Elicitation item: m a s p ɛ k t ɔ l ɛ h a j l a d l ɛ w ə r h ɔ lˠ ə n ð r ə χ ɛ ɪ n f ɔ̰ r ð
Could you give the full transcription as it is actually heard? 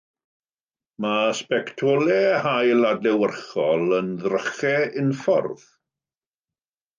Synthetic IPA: m a s p ɛ k tʰ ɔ l ɛ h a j l a d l ɛ w ə r χ ɔ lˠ ə n ð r ə χ ɛ ɪ n f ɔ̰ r ð